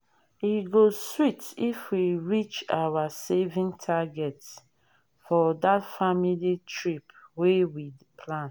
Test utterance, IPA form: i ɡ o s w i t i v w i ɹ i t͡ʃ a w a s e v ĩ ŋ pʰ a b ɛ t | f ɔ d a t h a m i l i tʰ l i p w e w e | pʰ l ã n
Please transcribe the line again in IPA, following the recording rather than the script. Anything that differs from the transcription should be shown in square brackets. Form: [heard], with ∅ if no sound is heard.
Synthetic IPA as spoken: i ɡ o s w i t i [f] w i ɹ i t͡ʃ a w a s e v ĩ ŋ [tʰ] a [ɡ] ɛ t | f ɔ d a t [f] a m i l i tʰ [ɹ] i p w e w [i] | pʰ l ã n